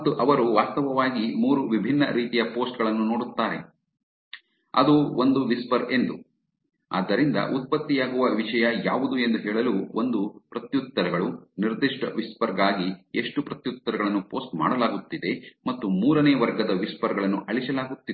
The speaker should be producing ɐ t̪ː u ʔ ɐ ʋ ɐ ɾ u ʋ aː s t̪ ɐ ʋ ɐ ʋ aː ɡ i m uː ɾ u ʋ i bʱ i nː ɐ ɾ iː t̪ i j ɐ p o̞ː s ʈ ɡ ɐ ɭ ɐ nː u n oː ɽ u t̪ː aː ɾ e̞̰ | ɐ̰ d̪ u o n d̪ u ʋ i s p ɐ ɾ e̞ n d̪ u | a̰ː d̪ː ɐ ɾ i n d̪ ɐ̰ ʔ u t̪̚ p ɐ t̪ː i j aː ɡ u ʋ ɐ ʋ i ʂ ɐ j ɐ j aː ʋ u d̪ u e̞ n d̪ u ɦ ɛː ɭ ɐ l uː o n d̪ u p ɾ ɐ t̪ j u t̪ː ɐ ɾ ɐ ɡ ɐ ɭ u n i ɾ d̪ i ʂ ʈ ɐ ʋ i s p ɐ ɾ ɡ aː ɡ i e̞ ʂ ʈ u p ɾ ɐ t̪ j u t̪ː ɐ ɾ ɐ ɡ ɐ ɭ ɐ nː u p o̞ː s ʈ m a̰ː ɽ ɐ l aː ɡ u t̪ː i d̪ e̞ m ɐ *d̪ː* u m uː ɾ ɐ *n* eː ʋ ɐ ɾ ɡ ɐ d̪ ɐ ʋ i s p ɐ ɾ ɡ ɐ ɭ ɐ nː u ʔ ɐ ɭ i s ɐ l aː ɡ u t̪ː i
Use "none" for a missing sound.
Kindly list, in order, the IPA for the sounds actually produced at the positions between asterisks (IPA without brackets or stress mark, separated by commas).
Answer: t̪ː, n